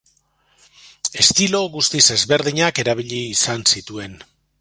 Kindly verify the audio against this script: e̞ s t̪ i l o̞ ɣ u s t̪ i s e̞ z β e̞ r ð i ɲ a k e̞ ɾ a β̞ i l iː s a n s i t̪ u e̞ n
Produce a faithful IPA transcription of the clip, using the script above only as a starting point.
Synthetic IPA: e̞ s t̪ i l o̞ ɣ u s t̪ i s e̞ z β e̞ ɾ ð i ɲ a k e̞ ɾ a β̞ i ʎ iː s a n s i t̪ u e̞ n